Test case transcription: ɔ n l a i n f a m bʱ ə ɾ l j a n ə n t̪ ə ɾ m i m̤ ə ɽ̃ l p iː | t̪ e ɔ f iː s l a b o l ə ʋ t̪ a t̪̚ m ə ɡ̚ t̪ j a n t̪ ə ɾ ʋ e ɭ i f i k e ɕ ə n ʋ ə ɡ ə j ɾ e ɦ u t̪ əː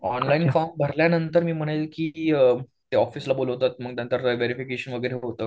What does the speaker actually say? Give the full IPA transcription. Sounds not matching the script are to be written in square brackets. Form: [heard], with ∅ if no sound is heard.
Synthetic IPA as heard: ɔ n l a i n f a m bʱ ə ɾ l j a n ə n t̪ ə ɾ m [iː] m̤ ə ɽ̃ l [k] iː | t̪ e ɔ f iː s l a b o l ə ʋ t̪ a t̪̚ m ə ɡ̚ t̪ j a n t̪ ə ɾ ʋ e [ɾ] i f i k e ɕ ə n ʋ ə ɡ ə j ɾ e ɦ [o] t̪ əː